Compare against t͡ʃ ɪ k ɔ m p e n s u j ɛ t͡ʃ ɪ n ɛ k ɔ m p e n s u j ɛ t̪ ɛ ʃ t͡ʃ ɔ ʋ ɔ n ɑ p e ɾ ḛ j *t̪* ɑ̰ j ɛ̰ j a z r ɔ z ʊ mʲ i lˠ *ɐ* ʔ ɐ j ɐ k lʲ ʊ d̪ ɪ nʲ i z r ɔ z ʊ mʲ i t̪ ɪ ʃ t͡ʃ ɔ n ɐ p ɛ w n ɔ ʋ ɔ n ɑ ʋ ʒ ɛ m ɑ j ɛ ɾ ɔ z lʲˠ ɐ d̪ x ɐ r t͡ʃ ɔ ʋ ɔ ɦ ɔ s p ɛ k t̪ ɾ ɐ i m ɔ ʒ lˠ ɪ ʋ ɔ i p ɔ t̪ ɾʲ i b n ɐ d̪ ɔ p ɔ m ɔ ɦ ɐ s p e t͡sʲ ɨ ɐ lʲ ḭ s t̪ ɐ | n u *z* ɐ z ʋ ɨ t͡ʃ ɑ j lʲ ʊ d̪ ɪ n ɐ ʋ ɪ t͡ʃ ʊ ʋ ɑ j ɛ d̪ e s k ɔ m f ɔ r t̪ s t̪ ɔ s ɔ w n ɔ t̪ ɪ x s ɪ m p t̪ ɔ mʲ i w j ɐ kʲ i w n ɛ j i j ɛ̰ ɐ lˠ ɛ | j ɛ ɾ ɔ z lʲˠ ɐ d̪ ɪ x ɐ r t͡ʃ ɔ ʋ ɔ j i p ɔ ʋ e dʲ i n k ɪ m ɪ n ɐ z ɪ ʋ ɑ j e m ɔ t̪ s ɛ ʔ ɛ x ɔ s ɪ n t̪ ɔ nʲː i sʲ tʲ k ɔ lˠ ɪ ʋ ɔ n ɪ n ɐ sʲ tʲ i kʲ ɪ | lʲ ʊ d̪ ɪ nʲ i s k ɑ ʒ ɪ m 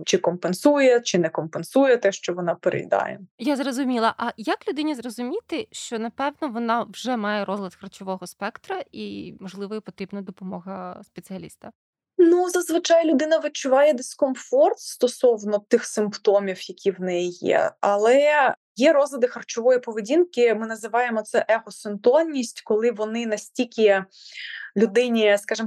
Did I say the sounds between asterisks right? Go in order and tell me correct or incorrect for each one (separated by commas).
incorrect, correct, correct